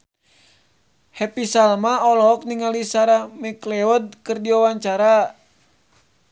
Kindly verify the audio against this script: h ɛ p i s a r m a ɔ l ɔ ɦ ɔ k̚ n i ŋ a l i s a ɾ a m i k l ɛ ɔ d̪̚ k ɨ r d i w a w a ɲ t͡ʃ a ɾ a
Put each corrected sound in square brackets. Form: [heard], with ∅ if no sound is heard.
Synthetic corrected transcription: h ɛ p i s a [l] m a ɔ l ɔ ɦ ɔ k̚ n i ŋ a l i s a ɾ a m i k l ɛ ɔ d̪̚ k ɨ r d i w a w a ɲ t͡ʃ a ɾ a